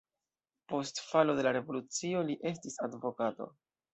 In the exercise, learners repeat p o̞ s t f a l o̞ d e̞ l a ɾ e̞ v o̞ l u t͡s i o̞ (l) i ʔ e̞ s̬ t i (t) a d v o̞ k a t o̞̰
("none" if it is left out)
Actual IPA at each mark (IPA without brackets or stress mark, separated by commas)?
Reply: l, s